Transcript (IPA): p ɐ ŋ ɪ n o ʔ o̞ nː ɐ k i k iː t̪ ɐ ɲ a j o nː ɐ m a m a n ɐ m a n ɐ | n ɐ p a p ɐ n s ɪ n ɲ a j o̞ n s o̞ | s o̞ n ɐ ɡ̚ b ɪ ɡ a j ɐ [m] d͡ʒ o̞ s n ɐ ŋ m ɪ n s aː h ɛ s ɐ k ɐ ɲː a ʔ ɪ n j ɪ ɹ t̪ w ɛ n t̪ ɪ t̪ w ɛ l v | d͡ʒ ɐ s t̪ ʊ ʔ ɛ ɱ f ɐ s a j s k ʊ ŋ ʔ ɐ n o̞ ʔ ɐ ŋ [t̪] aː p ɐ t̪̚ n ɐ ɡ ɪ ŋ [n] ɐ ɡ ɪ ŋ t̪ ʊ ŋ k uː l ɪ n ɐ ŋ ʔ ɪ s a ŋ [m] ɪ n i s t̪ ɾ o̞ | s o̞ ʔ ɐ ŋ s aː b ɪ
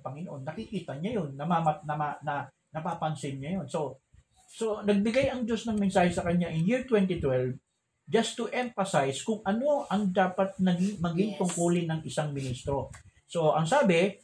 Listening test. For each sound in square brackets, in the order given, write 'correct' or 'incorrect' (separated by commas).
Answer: incorrect, incorrect, incorrect, correct